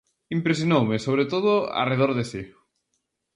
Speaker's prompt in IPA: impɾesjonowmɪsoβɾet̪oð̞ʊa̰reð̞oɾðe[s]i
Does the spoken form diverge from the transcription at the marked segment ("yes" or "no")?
no